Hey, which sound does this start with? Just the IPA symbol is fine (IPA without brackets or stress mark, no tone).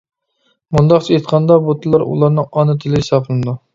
m